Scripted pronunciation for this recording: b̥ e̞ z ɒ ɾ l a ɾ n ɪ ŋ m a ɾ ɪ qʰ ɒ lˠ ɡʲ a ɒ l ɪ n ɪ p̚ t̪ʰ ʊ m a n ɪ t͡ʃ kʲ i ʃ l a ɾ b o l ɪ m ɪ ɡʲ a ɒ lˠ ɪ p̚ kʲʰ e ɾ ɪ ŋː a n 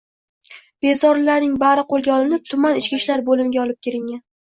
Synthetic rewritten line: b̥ e̞ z ɒ ɾ l a ɾ n ɪ ŋ b a ɾ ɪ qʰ o lˠ ɡʲ a ɒ l ɪ n ɪ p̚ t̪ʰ ʊ m a n ɪ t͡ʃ kʲ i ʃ l a ɾ b o l ɪ m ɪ ɡʲ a ɒ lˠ ɪ p̚ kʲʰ e ɾ ɪ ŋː a n